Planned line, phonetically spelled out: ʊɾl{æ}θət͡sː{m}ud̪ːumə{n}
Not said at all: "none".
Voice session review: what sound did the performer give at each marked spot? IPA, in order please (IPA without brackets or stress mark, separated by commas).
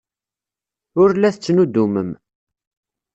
æ, n, m